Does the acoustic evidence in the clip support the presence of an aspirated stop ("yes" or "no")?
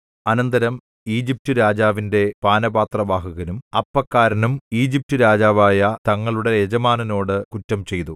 no